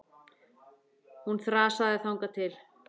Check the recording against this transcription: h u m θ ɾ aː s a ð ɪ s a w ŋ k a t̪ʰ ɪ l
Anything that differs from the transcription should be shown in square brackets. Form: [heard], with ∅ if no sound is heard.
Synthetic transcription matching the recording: h u [n] θ ɾ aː s a ð ɪ [θ] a w ŋ k a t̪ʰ ɪ l